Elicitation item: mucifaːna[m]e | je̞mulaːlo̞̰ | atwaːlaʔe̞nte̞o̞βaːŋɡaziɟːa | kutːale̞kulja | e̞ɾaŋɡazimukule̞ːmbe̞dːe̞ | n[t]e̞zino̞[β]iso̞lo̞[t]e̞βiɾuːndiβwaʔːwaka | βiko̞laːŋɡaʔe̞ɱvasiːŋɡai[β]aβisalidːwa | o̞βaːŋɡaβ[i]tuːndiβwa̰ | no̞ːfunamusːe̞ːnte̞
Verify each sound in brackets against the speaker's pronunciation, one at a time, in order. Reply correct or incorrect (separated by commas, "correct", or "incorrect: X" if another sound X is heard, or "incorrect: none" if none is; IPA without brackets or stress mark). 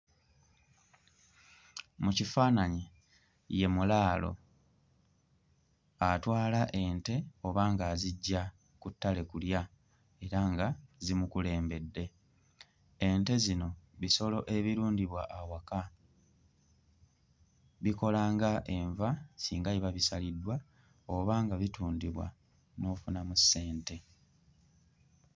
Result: incorrect: ɲ, correct, correct, incorrect: ʔ, correct, correct